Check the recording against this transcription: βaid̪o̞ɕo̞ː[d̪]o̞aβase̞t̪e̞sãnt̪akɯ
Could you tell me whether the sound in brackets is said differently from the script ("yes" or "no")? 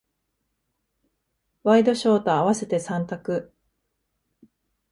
yes